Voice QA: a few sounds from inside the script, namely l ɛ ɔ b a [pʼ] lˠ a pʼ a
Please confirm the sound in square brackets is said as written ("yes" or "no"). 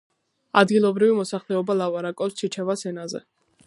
no